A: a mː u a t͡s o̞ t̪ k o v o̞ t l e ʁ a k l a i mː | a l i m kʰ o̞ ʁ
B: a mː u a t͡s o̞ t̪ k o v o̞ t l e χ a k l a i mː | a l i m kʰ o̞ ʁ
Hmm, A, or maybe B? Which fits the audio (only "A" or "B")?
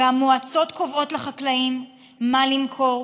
B